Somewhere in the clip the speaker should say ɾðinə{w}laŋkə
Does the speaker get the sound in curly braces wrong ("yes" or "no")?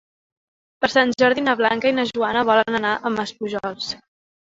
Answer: yes